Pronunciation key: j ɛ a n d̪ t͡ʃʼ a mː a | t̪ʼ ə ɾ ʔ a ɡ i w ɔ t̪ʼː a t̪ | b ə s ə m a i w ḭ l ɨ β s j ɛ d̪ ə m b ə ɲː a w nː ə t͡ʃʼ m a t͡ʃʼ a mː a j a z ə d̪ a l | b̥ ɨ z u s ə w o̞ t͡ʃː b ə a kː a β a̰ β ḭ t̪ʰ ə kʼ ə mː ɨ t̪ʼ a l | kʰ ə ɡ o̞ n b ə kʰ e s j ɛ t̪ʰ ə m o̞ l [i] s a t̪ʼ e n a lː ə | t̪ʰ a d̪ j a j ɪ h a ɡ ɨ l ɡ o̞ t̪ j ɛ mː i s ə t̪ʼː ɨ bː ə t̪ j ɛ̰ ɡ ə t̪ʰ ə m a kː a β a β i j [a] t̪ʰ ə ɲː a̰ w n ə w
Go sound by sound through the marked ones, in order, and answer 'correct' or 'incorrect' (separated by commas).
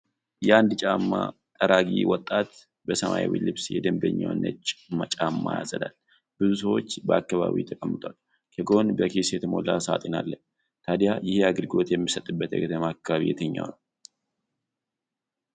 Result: incorrect, incorrect